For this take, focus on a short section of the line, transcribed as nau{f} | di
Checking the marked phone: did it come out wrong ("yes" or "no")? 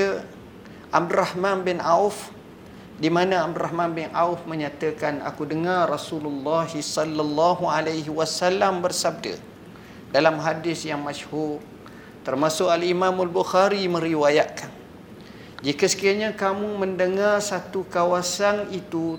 no